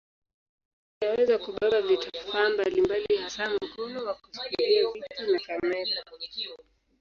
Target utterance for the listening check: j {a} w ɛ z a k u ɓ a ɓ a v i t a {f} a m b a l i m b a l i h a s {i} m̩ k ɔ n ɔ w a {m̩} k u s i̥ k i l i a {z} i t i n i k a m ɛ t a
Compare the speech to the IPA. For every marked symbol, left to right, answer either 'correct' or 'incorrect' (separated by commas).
correct, correct, incorrect, incorrect, incorrect